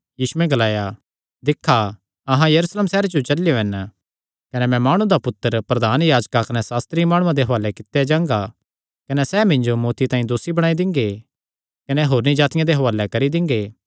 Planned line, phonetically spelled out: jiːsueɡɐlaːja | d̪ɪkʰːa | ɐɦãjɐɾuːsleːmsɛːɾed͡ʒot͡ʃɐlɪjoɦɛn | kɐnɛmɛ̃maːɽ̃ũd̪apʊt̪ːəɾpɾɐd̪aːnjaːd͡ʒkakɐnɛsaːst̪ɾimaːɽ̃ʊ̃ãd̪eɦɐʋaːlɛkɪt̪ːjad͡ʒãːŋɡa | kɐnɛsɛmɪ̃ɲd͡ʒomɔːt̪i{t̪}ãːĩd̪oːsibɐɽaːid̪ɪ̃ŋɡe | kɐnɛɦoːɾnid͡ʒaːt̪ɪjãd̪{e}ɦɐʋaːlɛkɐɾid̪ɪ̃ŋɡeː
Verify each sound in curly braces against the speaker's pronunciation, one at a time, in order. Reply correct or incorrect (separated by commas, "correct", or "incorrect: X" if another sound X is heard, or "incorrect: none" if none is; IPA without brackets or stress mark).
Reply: correct, correct